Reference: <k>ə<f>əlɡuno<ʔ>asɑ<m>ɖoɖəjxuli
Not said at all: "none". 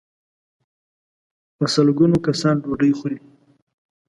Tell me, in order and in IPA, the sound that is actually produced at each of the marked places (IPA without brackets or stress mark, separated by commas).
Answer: p, s, k, n